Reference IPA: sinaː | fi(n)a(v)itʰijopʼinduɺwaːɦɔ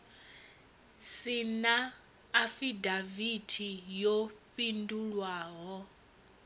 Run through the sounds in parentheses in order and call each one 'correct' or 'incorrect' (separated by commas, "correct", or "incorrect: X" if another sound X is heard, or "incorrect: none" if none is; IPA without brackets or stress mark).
incorrect: d, correct